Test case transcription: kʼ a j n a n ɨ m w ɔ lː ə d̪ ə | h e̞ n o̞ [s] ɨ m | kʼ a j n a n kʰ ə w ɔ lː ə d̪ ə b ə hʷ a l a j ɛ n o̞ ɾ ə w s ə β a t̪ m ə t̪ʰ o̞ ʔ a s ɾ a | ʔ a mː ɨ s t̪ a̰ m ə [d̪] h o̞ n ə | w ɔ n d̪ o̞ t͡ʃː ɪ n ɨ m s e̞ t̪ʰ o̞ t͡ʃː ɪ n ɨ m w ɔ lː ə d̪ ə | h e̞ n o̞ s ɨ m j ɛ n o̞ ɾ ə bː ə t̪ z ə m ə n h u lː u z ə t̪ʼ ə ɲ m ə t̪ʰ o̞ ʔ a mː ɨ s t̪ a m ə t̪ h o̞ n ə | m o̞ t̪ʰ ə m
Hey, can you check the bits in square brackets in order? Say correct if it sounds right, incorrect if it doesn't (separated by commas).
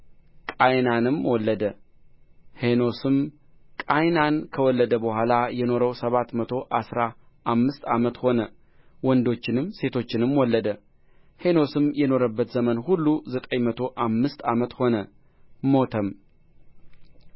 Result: correct, incorrect